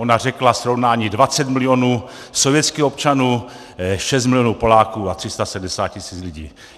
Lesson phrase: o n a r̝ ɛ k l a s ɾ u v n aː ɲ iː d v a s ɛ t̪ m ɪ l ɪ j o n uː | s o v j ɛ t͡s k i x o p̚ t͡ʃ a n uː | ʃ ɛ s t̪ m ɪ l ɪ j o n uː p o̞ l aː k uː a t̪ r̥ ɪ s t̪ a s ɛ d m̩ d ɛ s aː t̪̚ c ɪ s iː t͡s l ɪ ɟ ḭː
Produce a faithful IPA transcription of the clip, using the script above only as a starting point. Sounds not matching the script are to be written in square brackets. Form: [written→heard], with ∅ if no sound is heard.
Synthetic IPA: o n a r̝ ɛ k l a s ɾ [u→o] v n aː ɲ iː d v a [s→t͡s] ɛ t̪ m ɪ l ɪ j o n uː | s o v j ɛ t͡s k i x o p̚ t͡ʃ a n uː | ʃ ɛ s t̪ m ɪ l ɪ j o n uː p o̞ l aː k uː a t̪ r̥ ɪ s t̪ a s ɛ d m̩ d ɛ s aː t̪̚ c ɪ s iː t͡s l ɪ ɟ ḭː